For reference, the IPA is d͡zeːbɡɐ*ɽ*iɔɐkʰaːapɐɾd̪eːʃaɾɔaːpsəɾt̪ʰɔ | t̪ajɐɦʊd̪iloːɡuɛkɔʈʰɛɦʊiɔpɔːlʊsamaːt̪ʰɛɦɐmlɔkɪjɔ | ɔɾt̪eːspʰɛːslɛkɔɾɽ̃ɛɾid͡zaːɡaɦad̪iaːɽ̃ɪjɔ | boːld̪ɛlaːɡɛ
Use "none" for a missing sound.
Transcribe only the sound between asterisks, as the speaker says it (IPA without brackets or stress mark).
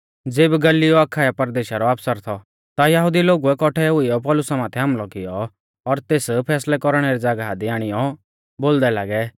l